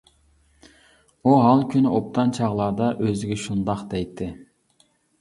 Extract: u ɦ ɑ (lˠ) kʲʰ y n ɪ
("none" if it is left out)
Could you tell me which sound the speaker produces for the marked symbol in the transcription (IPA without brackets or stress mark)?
lˠ